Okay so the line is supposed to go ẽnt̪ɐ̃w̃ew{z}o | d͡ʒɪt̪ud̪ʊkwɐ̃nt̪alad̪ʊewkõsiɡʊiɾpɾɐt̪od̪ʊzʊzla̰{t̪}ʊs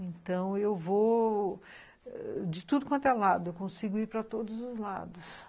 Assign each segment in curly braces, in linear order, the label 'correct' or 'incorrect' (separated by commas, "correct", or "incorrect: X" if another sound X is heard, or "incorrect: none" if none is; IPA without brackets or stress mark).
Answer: incorrect: v, incorrect: d̪